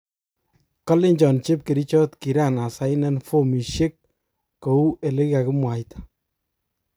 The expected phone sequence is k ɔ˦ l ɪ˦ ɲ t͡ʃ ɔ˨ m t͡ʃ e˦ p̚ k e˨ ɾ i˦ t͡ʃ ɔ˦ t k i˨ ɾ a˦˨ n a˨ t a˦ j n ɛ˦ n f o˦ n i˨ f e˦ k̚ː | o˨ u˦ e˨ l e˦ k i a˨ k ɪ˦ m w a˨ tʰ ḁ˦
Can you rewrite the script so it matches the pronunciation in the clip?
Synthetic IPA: k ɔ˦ l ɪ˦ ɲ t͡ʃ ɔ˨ n t͡ʃ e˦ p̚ k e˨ ɾ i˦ t͡ʃ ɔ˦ t k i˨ ɾ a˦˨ n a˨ s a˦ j n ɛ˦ n f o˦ m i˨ ʃ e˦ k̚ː | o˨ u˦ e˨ l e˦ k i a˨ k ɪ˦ m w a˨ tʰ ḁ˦